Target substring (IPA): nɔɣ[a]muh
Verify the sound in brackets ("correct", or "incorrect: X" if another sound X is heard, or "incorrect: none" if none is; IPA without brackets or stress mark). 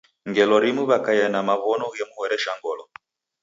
incorrect: ɛ